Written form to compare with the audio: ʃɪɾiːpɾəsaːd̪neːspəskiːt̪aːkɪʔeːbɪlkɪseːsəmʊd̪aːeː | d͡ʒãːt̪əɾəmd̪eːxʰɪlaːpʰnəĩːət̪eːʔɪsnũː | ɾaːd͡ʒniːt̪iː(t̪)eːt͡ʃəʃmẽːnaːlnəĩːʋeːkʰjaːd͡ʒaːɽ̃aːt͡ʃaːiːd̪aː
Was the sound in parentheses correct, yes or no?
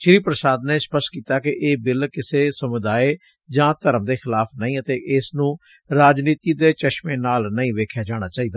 no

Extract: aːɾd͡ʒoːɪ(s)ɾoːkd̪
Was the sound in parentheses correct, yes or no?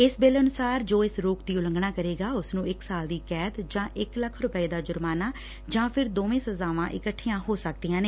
yes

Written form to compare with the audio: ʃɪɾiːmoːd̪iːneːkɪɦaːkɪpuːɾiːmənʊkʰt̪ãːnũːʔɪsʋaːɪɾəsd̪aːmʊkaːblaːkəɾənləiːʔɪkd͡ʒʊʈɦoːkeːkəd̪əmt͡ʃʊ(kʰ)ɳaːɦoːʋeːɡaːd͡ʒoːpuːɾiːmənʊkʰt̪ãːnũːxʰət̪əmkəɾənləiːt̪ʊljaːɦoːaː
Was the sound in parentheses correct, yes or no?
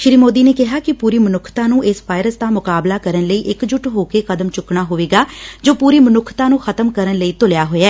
no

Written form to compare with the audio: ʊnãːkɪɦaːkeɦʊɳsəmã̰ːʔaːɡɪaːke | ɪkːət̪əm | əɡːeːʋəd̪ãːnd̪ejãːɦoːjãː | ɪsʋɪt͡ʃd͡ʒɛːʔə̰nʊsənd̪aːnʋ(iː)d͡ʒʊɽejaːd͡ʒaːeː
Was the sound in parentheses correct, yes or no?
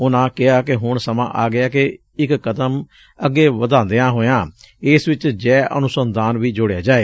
yes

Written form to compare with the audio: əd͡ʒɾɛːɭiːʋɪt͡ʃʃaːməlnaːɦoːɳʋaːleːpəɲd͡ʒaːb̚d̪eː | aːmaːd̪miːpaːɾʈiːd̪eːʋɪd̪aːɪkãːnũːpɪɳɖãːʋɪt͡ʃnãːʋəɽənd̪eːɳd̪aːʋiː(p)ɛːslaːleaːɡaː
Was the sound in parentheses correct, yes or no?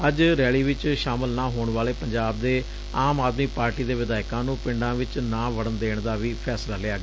no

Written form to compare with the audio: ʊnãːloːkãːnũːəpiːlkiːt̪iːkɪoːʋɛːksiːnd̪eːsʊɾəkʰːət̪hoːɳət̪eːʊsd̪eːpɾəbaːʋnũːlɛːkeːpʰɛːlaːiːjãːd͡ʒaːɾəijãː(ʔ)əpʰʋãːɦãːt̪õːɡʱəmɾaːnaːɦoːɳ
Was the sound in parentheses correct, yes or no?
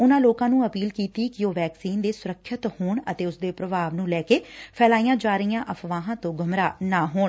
yes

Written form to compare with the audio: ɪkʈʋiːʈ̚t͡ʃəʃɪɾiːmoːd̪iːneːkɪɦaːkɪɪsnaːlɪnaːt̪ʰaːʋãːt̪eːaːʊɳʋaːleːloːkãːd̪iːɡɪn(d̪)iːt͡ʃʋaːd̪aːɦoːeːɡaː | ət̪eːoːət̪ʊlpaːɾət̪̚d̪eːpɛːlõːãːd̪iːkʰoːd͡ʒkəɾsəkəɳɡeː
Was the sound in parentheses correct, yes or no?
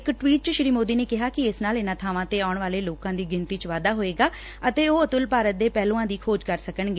no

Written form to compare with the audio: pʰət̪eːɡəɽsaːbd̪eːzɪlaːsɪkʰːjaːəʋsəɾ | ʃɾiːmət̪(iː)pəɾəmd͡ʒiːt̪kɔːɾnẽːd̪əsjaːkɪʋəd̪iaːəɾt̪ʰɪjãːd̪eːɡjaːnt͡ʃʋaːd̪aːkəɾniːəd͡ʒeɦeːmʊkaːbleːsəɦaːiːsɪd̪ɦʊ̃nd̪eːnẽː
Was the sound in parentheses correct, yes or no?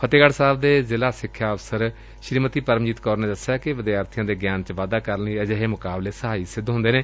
yes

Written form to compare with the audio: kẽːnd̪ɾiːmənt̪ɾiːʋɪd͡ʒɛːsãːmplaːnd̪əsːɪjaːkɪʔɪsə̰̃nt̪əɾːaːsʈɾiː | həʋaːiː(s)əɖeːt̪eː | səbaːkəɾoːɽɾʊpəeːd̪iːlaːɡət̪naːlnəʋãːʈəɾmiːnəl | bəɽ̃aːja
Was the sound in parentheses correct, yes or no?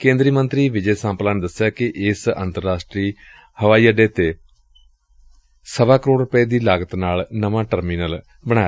no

